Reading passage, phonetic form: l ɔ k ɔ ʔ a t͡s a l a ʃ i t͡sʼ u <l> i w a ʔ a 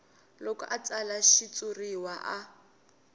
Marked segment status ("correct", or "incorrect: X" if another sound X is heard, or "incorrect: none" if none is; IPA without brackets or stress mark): incorrect: r